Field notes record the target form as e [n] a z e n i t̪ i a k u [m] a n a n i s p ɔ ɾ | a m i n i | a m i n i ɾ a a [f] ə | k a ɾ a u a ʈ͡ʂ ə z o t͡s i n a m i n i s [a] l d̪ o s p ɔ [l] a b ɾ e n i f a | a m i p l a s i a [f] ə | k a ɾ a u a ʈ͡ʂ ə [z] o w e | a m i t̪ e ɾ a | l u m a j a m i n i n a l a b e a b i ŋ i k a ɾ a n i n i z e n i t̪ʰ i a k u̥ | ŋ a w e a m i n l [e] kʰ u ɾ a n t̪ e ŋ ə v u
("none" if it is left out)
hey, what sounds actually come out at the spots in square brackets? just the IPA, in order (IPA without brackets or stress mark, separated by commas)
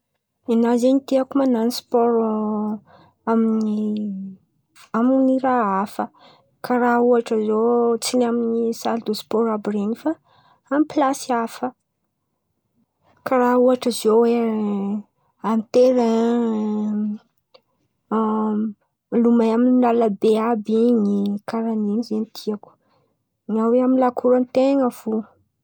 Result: n, m, f, a, ɾ, f, z, a